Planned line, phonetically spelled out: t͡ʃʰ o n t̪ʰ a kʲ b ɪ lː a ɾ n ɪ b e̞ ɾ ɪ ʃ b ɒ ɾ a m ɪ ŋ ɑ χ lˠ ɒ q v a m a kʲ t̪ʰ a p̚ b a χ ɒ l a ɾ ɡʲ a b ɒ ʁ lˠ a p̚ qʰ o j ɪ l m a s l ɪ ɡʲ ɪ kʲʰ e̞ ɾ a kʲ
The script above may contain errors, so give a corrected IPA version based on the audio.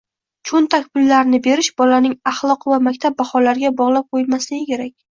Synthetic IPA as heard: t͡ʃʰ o n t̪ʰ a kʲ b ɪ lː a ɾ n ɪ b e̞ ɾ ɪ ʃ b ɒ l a n ɪ ŋ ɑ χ lˠ ɒ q v a m a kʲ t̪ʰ a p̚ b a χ ɒ l a ɾ ɡʲ a b ɒ ʁ lˠ a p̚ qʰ o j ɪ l m a s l ɪ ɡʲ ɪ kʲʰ e̞ ɾ a kʲ